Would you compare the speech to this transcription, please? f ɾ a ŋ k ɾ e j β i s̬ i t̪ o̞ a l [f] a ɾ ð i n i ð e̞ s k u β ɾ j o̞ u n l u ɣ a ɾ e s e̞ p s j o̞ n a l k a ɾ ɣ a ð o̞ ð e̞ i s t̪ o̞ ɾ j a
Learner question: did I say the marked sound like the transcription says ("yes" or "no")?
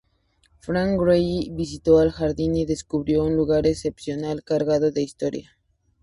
no